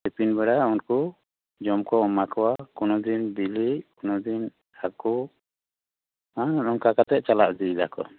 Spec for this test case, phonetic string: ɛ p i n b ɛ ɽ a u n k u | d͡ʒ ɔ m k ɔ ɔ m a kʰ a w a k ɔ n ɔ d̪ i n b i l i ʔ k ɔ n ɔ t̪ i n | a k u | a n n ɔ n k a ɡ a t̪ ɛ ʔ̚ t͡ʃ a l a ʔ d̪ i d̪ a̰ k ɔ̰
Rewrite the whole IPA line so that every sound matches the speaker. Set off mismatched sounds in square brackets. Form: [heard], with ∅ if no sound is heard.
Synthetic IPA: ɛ p i n b ɛ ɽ a u n k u | d͡ʒ ɔ m k ɔ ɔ m a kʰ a w a k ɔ n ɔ d̪ i n b i l i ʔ k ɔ n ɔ [d̪] i n | a k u | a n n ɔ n k a [k] a t̪ ɛ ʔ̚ t͡ʃ a l a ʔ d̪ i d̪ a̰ k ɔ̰